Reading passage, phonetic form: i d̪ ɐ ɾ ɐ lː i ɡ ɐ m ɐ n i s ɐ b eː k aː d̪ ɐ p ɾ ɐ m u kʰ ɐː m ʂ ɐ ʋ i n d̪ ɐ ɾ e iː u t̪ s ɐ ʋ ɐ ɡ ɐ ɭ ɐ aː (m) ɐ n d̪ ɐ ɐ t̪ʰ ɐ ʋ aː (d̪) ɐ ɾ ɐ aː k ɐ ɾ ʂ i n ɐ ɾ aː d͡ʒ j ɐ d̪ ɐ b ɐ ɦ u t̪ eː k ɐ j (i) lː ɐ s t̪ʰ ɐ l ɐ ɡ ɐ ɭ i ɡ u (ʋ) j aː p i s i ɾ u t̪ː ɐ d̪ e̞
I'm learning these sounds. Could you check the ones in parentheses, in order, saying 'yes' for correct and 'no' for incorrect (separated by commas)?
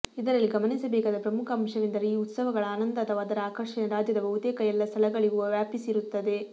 no, yes, no, yes